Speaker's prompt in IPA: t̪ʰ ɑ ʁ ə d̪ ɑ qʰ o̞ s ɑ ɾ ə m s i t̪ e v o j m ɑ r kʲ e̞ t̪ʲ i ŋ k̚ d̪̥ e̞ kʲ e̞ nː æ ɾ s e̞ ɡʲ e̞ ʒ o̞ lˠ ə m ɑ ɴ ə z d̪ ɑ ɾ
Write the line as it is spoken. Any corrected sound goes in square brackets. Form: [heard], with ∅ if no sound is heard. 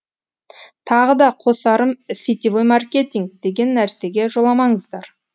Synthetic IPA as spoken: t̪ʰ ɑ ʁ ə d̪ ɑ qʰ o̞ s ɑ ɾ ə m s i t̪ [i] v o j m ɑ r kʲ e̞ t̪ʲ i ŋ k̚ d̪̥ e̞ [ɡʲ] e̞ nː æ ɾ s e̞ ɡʲ e̞ ʒ o̞ lˠ [ɑ] m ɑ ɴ ə z d̪ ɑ ɾ